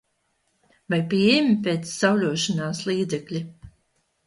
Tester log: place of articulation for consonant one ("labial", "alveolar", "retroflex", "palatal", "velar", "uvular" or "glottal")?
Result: labial